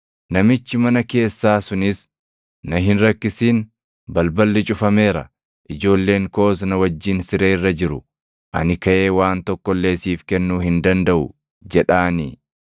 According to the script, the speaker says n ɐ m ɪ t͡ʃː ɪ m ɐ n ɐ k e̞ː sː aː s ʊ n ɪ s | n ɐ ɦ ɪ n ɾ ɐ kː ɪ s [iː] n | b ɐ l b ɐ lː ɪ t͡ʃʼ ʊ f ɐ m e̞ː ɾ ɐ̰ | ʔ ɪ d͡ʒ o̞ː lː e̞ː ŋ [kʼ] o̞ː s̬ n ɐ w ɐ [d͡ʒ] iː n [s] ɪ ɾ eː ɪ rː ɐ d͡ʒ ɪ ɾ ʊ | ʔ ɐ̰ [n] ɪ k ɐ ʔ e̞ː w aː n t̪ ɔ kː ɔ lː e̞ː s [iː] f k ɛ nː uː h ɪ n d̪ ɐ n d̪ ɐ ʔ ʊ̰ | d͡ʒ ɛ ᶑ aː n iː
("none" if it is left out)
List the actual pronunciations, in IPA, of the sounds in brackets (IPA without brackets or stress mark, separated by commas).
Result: iː, k, d͡ʒː, s, n, iː